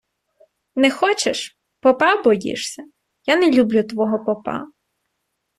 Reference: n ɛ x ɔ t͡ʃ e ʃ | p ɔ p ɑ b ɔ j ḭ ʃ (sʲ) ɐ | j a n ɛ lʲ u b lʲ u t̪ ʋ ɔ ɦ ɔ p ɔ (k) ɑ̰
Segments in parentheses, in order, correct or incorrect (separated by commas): correct, incorrect